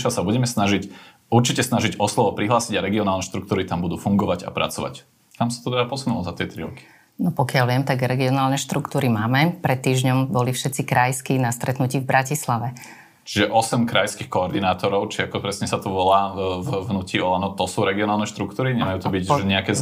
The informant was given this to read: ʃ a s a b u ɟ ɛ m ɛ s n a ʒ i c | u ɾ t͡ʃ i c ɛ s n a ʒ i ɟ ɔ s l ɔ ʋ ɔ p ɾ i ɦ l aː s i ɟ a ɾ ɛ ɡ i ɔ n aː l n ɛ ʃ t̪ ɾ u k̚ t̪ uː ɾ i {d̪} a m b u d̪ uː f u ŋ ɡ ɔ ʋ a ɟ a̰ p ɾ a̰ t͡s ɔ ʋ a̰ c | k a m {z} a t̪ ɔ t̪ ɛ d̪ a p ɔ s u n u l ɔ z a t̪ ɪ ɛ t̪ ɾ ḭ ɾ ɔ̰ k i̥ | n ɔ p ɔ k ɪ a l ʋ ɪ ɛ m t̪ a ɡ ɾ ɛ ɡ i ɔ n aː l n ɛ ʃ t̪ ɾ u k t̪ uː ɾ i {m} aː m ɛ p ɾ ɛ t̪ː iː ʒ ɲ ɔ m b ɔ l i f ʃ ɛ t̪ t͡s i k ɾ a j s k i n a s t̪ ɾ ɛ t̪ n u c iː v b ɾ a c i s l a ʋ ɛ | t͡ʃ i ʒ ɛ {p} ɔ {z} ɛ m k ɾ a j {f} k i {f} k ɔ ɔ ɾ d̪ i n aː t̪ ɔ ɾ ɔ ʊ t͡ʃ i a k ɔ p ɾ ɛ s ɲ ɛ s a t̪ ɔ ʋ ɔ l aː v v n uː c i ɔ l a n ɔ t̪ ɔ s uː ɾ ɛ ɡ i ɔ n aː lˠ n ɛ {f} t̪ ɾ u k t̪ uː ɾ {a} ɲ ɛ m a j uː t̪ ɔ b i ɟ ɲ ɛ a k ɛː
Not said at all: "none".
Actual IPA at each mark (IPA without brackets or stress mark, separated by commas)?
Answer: t̪, s, m, ʔ, s, s, x, ʃ, i